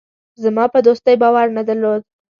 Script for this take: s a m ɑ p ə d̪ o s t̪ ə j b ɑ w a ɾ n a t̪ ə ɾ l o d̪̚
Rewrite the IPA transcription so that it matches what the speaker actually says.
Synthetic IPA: z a m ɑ p ə d̪ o s t̪ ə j b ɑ w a ɾ n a d̪ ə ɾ l o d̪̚